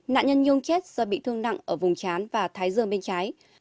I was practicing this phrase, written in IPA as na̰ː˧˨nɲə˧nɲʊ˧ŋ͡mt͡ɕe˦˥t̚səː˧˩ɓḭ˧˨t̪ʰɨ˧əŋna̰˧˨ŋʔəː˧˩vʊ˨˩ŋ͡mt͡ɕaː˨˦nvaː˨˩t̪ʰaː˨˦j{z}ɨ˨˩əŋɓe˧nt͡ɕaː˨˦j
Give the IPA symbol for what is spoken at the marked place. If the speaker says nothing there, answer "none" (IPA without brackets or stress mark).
z